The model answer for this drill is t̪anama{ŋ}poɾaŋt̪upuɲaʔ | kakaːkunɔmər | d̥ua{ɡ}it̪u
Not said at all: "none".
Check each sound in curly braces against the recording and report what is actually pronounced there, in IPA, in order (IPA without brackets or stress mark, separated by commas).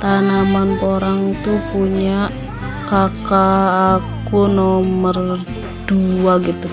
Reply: n, ɡ